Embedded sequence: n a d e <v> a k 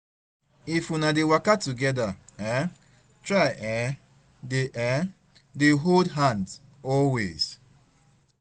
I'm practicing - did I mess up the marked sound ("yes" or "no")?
yes